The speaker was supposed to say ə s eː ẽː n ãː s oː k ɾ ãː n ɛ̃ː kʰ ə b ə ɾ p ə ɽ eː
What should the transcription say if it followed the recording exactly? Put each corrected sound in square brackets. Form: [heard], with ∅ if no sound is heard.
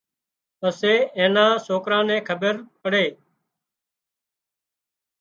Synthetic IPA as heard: ə s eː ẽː n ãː s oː k ɾ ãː n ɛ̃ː kʰ ə b ə ɾ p ə ɽ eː